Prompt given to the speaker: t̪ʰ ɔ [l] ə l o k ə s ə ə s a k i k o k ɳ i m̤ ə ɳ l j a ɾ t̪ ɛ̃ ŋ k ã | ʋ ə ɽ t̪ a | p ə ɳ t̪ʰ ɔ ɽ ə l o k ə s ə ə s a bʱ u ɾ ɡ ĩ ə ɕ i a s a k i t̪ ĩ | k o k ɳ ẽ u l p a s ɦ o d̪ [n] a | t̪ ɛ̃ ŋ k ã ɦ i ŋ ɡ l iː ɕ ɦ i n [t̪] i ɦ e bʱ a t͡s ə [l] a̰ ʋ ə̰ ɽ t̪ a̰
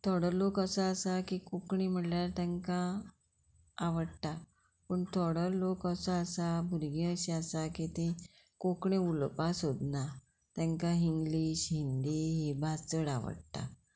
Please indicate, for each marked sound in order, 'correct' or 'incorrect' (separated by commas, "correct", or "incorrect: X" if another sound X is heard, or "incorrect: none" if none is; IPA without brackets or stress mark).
incorrect: ɽ, correct, incorrect: d̪, incorrect: ɽ